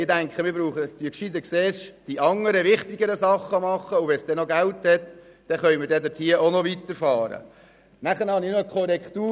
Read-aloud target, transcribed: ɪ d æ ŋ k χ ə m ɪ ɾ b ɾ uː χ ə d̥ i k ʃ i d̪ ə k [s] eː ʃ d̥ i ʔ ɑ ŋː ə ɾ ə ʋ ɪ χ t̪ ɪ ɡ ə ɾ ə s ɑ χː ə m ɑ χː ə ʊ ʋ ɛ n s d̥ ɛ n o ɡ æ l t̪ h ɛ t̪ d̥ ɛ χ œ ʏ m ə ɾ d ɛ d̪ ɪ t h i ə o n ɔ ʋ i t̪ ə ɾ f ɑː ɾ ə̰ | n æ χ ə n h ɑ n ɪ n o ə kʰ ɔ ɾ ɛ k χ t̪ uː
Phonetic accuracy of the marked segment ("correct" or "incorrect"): correct